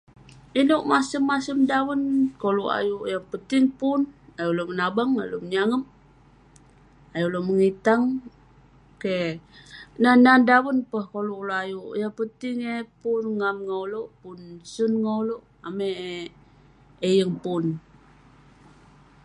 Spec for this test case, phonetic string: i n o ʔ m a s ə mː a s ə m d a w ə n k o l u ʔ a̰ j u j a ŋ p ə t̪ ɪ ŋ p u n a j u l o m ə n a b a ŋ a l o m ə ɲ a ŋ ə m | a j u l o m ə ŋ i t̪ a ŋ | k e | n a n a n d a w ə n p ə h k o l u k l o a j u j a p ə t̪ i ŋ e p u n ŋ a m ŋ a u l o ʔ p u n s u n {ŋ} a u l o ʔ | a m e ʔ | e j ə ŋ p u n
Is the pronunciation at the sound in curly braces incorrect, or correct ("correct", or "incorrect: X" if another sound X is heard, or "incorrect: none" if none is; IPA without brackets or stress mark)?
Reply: correct